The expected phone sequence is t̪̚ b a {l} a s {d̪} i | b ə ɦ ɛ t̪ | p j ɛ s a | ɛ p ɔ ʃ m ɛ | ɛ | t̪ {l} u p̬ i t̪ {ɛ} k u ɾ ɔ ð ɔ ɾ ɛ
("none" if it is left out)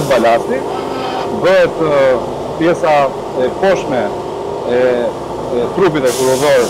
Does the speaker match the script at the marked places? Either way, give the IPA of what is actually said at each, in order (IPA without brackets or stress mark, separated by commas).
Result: l, t̪, ɾ, ɛ